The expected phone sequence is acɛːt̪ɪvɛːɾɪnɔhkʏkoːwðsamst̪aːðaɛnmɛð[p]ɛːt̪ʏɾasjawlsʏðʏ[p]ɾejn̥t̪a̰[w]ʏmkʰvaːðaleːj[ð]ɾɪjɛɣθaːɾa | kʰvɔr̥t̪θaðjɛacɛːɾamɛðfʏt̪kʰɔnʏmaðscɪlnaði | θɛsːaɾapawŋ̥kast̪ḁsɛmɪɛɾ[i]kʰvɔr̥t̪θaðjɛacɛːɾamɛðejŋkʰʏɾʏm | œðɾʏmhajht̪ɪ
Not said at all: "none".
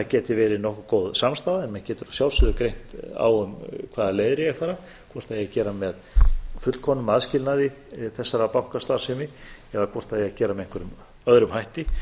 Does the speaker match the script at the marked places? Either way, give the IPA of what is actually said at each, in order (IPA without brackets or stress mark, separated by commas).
c, k, w, ð, a